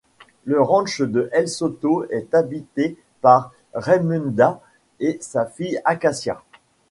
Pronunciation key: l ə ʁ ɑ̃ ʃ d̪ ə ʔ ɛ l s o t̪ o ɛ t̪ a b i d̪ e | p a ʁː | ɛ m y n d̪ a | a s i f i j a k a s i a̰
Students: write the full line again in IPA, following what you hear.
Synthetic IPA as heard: l ə ʁ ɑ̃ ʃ d̪ ə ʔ ɛ l s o t̪ o ɛ t̪ a b i t̪ e | p a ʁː | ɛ m y n d̪ a | e s a f i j a k a s j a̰